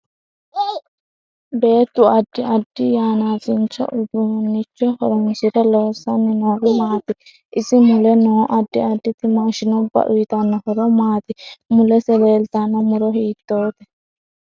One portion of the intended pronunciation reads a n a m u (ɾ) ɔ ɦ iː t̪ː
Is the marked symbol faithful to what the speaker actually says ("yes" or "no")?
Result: yes